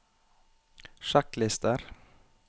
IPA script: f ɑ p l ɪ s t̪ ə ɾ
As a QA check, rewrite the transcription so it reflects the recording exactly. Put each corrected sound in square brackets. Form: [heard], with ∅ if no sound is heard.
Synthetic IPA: [ʃ] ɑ [k] l ɪ s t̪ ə ɾ